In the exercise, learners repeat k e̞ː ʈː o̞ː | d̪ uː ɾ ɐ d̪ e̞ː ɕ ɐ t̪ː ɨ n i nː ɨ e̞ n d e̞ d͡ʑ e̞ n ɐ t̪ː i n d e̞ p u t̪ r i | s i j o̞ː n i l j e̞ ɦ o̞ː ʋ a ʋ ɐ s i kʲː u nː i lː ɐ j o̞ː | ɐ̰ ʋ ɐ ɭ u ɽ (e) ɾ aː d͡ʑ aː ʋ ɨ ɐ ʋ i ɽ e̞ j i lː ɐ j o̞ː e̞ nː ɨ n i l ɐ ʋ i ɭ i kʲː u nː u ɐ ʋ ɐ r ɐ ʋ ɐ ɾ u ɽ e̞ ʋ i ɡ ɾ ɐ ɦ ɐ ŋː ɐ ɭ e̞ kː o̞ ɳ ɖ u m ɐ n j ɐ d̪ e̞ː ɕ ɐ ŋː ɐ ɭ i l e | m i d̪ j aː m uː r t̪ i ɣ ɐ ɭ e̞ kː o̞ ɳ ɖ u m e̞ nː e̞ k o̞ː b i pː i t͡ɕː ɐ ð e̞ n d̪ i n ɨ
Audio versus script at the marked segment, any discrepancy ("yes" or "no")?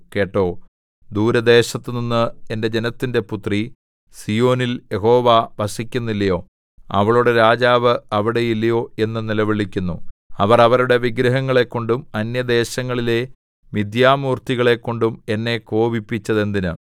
no